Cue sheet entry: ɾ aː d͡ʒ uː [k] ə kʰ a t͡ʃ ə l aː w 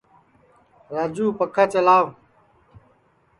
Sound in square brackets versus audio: incorrect: p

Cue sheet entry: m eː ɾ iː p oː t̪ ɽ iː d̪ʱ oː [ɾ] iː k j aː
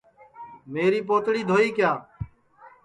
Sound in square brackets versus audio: incorrect: none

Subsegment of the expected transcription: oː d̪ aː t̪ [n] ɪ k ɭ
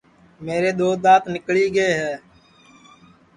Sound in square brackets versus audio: correct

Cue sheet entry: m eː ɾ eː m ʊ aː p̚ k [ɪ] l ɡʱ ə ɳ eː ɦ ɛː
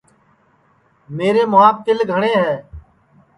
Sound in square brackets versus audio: correct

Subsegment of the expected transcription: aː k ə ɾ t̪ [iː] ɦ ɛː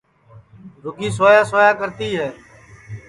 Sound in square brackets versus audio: correct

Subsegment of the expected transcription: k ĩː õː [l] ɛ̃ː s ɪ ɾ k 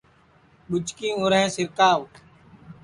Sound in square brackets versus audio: incorrect: ɾ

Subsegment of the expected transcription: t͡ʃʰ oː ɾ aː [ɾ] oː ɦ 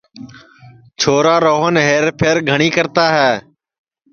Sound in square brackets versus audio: correct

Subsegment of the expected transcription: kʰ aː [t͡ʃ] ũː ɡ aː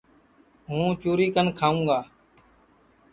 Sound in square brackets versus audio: incorrect: none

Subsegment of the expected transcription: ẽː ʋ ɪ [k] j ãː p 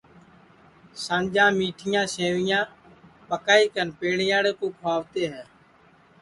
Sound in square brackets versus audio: incorrect: none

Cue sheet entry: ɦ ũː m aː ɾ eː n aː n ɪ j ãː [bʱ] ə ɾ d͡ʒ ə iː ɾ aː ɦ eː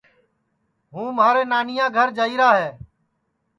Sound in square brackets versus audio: incorrect: ɡʱ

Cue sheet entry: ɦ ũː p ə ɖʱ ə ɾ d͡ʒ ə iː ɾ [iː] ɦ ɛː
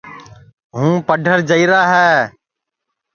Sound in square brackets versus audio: incorrect: aː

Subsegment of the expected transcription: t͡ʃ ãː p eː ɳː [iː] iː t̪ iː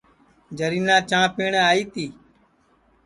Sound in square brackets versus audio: incorrect: aː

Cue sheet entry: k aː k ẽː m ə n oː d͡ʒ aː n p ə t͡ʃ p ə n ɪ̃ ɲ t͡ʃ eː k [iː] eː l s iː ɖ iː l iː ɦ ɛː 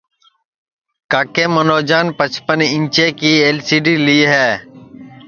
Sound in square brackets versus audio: correct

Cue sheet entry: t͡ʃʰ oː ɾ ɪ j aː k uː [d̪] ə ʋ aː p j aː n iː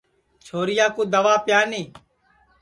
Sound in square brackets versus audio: correct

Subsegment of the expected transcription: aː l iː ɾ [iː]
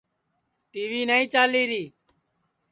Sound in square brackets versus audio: correct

